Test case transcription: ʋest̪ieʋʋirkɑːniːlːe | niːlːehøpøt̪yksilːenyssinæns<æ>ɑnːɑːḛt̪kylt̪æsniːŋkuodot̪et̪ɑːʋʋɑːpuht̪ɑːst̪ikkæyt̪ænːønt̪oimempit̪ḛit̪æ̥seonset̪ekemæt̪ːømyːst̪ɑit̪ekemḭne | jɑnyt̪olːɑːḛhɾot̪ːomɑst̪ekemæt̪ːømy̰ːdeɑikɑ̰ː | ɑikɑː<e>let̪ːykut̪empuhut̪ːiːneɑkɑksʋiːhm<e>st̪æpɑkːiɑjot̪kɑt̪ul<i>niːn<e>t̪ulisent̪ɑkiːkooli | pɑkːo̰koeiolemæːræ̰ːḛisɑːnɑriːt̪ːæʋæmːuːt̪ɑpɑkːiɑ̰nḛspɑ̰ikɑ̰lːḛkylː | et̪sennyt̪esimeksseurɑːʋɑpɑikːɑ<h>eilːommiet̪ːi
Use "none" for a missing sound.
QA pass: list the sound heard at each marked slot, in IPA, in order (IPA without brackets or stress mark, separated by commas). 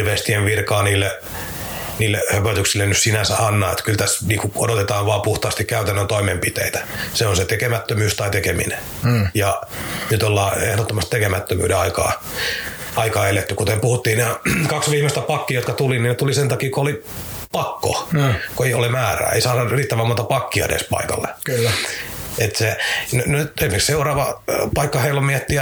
æ, e, e, i, e, h